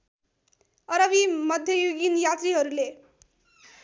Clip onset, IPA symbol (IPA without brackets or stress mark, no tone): ʌ